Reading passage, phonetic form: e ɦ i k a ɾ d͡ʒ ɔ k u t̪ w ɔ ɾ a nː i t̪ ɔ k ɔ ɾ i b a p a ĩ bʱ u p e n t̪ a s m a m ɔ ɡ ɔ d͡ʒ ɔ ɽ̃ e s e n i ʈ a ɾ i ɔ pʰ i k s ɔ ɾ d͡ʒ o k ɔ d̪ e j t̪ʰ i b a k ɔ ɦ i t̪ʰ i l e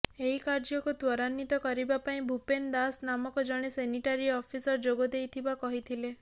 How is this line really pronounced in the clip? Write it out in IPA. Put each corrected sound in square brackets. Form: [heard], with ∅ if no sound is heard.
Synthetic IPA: e ɦ i k a ɾ d͡ʒ ɔ k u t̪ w ɔ ɾ a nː i t̪ ɔ k ɔ ɾ i b a p a ĩ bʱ u p e n [d̪] a s [n] a m ɔ [k] ɔ d͡ʒ ɔ ɽ̃ e s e n i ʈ a ɾ i ɔ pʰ i [∅] s ɔ ɾ d͡ʒ o [ɡ] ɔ d̪ e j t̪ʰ i b a k ɔ ɦ i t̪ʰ i l e

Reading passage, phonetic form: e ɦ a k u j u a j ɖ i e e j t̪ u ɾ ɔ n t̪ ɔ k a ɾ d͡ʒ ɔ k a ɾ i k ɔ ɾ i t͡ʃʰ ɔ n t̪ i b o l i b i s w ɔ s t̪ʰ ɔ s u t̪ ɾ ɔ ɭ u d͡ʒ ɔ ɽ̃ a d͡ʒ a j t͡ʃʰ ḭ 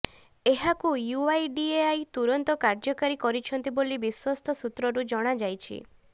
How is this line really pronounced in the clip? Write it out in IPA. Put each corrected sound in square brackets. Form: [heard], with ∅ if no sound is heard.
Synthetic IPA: e ɦ a k u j u a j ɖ i e [a] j t̪ u ɾ ɔ n t̪ ɔ k a ɾ d͡ʒ ɔ k a ɾ i k ɔ ɾ i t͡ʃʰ ɔ n t̪ i b o l i b i s w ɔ s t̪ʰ ɔ s u t̪ ɾ ɔ [ɾ] u d͡ʒ ɔ ɽ̃ a d͡ʒ a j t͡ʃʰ ḭ

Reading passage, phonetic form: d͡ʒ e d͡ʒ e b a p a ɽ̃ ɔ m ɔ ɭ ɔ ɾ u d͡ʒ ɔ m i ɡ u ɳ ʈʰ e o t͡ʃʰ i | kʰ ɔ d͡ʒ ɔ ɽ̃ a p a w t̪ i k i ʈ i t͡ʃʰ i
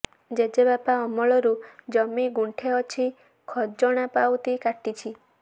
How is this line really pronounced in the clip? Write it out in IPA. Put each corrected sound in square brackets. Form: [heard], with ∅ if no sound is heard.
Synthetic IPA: d͡ʒ e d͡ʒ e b a p a [∅] ɔ m ɔ ɭ ɔ ɾ u d͡ʒ ɔ m i ɡ u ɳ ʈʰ e [ɔ] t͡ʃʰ i | kʰ ɔ d͡ʒ ɔ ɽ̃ a p a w t̪ i k [a] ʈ i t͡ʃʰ i

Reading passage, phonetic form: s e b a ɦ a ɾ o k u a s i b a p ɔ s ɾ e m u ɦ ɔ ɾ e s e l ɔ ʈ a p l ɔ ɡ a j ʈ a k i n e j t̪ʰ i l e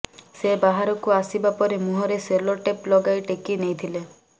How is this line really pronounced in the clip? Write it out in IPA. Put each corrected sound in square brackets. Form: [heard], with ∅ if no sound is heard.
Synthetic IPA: s e b a ɦ a ɾ [ɔ] k u a s i b a p ɔ [∅] ɾ e m u ɦ ɔ ɾ e s e l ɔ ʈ [e] p l ɔ ɡ a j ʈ [e] k i n e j t̪ʰ i l e

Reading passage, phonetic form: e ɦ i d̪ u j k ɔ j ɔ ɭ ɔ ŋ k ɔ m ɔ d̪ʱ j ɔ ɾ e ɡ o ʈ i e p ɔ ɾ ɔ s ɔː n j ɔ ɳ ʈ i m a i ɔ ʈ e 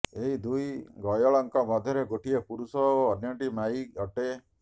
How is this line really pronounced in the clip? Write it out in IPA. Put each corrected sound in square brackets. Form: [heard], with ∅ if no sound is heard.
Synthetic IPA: e ɦ i d̪ u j [ɡ] ɔ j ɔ ɭ ɔ ŋ k ɔ m ɔ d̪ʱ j ɔ ɾ e ɡ o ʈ i e p [u] ɾ [u] s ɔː n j ɔ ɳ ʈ i m a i ɔ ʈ e

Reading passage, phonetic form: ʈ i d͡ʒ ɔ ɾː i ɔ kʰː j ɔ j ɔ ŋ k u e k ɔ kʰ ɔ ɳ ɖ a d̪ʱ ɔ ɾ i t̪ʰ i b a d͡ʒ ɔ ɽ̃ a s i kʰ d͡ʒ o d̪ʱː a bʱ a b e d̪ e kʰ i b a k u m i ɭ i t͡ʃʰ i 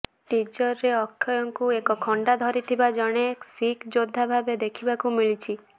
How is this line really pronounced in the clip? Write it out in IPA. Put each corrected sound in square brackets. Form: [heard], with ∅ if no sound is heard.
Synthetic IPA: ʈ i d͡ʒ ɔ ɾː [e] ɔ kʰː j ɔ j ɔ ŋ k u e k ɔ kʰ ɔ ɳ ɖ a d̪ʱ ɔ ɾ i t̪ʰ i b a d͡ʒ ɔ ɽ̃ [e] s i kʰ d͡ʒ o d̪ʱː a bʱ a b e d̪ e kʰ i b a k u m i ɭ i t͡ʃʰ i

